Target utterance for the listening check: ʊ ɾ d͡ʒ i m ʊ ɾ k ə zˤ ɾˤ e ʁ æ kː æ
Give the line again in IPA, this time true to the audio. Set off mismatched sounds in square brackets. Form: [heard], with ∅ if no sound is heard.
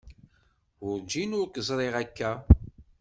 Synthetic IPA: ʊ ɾ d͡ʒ i [n] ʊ ɾ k ə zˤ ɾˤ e ʁ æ kː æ